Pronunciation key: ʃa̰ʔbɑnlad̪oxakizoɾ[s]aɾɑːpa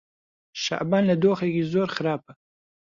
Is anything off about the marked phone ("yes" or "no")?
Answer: yes